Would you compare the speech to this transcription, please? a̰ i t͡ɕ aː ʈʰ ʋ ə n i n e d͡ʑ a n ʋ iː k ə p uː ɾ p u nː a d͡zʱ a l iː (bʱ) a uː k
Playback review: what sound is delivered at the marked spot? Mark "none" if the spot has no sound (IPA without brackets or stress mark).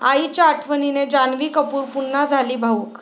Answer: bʱ